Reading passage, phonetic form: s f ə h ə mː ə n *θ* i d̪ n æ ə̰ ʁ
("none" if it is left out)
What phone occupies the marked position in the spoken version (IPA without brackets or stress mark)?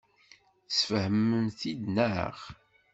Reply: θ